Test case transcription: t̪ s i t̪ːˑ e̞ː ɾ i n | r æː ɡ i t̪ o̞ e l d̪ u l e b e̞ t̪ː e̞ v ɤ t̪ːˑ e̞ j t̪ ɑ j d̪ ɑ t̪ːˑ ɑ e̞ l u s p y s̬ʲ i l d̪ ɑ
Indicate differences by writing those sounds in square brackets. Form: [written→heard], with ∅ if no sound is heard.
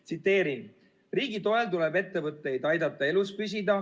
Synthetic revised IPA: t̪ s i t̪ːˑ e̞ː ɾ i n | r [æː→iː] ɡ i t̪ o̞ e l [d̪→t̪] u l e b e̞ t̪ː e̞ v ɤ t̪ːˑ e̞ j [t̪→d̪] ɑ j d̪ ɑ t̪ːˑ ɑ e̞ l u s p y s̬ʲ i [l→∅] d̪ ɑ